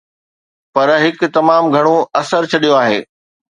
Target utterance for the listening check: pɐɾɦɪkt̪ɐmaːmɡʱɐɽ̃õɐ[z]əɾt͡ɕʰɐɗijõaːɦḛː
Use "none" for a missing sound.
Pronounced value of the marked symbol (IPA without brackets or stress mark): s